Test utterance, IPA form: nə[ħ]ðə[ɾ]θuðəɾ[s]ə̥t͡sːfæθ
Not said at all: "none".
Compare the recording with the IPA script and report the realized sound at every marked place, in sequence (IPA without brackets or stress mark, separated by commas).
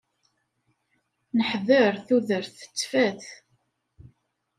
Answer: ħ, ɾ, θ